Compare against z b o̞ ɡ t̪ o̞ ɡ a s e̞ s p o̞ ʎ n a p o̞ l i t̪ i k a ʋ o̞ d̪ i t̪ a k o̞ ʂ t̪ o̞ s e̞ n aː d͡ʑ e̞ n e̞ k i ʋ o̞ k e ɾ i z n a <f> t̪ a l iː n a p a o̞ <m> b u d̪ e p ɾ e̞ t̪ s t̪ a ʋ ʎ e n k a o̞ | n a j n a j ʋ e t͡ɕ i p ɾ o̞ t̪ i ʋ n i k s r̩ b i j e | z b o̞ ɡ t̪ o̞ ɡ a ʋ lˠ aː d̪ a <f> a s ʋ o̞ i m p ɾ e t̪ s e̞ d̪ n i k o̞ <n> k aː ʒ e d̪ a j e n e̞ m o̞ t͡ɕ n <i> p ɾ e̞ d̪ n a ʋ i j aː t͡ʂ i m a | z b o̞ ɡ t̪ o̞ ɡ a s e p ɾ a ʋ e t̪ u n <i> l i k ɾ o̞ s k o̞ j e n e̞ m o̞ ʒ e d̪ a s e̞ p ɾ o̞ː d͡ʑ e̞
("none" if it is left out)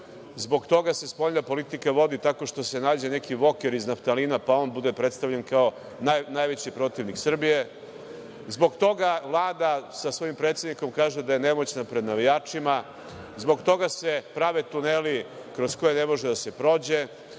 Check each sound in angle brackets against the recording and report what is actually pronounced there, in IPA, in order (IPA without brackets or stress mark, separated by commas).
f, n, s, m, a, e